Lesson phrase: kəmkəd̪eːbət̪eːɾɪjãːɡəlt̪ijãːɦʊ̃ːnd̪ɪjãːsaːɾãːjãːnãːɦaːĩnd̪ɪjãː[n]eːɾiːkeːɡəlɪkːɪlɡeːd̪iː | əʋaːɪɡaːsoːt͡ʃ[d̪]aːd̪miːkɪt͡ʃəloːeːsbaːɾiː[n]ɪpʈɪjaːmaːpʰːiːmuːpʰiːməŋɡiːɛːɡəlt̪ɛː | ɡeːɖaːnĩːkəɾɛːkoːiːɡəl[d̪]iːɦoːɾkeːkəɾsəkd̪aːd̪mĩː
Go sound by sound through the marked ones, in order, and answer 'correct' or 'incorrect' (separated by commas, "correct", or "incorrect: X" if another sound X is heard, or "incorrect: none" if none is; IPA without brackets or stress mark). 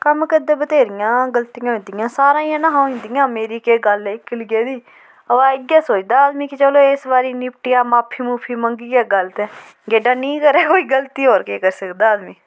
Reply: incorrect: m, correct, correct, incorrect: t̪